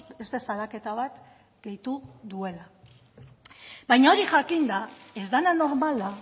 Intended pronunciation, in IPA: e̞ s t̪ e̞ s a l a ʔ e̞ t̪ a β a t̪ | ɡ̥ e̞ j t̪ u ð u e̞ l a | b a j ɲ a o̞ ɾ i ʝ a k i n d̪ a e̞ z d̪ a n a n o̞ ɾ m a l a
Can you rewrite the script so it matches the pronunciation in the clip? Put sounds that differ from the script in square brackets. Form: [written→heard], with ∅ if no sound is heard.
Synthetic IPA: e̞ s t̪ e̞ s a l a [ʔ→k] e̞ t̪ a β a t̪ | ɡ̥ e̞ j t̪ u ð u e̞ l a | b a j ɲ a o̞ ɾ i ʝ a k i n d̪ a e̞ z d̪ a n a n o̞ ɾ m a l a